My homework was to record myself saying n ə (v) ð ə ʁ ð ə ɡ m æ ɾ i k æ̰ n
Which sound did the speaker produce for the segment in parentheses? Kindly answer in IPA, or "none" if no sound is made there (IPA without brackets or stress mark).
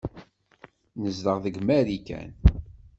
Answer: z